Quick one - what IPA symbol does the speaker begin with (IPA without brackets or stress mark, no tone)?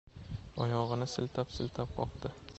ɒ